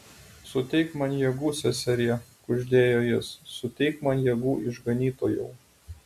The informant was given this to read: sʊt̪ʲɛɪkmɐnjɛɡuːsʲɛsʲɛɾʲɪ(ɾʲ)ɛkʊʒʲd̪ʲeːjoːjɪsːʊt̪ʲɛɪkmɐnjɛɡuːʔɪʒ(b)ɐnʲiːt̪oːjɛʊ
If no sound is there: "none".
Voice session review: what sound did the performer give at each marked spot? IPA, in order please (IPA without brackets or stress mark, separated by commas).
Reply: none, ɡ